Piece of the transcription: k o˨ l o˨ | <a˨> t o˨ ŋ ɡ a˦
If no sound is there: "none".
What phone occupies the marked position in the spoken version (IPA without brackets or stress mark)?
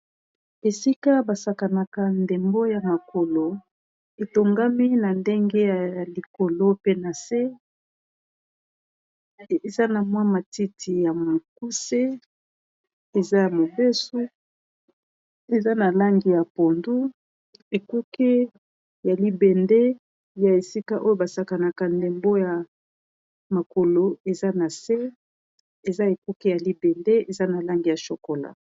e˨